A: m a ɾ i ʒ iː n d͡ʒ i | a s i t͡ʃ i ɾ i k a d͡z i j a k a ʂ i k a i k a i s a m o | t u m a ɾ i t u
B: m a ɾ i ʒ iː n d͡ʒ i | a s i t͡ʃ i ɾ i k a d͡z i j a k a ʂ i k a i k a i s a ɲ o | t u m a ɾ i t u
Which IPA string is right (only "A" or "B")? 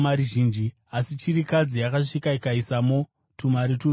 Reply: A